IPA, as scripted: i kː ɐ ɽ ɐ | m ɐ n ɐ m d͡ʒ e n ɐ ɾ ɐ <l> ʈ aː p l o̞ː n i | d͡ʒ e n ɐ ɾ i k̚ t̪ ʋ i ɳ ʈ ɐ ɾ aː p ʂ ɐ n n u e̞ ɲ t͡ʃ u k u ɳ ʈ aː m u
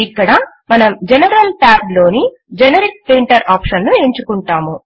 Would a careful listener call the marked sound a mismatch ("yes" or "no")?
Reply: no